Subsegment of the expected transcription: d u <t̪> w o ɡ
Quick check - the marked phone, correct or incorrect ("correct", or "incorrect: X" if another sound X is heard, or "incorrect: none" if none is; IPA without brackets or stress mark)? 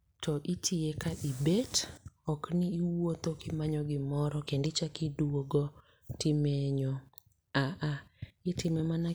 incorrect: none